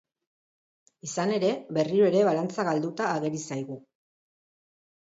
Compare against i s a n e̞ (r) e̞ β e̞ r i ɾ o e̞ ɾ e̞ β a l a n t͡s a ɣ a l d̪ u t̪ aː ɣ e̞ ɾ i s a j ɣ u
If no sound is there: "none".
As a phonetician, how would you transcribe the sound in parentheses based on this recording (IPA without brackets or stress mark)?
ɾ